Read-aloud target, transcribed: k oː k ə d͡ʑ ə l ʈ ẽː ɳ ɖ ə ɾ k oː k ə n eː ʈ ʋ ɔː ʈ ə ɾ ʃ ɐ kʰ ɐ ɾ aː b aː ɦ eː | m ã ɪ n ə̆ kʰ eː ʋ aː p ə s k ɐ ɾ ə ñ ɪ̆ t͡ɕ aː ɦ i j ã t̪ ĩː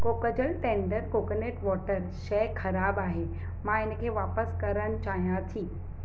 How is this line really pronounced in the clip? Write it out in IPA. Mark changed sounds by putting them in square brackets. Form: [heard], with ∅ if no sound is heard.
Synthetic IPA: k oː k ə d͡ʑ ə l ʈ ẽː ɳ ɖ ə ɾ k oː k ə n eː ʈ ʋ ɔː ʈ ə ɾ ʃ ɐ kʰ ɐ ɾ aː b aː ɦ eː | m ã ɪ n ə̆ kʰ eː ʋ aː p ə s k ɐ ɾ ə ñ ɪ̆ t͡ɕ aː ɦ i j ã [t̪ʰ] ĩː